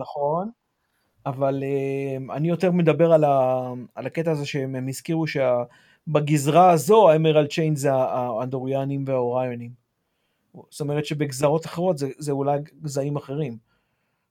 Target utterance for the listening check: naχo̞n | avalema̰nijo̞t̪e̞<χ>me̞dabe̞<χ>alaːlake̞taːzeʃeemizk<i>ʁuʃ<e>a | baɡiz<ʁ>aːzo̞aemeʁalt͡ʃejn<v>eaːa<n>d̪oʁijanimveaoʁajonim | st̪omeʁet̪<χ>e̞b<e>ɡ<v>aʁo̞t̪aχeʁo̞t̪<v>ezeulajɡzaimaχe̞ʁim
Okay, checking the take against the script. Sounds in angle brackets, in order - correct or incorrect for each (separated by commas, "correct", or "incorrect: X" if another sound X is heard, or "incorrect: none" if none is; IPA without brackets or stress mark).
incorrect: ʁ, incorrect: ʁ, correct, correct, correct, incorrect: z, correct, incorrect: ʃ, correct, incorrect: z, incorrect: z